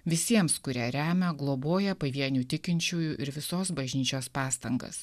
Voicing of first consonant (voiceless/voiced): voiced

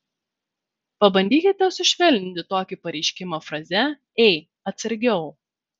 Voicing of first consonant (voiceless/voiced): voiceless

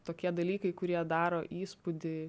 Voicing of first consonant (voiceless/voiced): voiceless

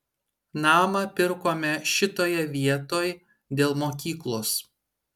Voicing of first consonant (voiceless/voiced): voiced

